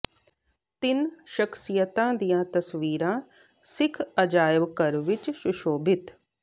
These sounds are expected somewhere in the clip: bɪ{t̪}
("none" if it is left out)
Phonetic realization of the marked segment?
t̪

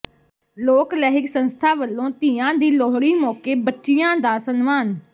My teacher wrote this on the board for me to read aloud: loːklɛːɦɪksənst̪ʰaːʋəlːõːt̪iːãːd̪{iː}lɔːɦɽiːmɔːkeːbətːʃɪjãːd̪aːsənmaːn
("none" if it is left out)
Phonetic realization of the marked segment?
iː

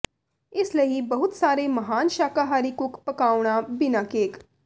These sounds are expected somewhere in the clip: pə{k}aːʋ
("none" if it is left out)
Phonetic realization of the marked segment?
k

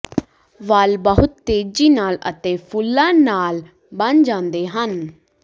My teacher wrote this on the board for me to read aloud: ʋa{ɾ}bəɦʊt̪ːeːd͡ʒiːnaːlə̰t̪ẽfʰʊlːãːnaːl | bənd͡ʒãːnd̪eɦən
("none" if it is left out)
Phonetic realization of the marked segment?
l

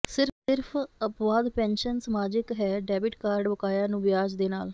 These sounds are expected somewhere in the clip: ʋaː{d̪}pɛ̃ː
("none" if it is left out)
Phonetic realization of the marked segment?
d̪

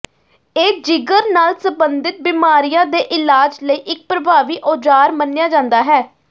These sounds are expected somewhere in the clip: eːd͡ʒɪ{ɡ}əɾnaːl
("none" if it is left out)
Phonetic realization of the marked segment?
ɡ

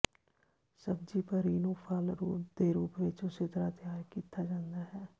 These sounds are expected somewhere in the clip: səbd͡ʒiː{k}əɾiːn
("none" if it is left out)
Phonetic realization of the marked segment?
p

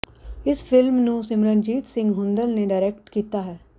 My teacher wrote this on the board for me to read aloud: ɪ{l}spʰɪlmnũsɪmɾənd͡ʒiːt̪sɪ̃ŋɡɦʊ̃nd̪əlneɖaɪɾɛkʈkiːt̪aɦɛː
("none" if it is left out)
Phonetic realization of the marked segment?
none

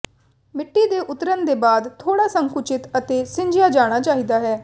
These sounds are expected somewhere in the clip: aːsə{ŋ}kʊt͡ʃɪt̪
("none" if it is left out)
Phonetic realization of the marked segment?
ŋ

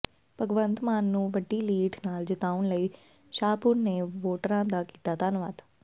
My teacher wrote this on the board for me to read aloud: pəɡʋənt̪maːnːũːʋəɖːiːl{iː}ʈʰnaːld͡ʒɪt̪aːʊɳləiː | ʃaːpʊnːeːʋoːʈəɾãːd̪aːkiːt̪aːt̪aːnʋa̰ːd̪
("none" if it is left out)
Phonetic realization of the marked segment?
iː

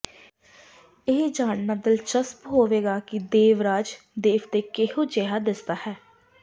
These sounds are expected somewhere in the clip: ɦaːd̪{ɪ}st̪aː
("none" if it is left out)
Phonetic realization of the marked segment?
ɪ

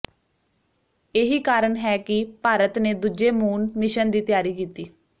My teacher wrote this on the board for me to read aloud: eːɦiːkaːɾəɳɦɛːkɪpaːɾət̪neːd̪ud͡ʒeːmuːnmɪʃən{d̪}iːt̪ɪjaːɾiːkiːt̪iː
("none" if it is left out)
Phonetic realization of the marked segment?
d̪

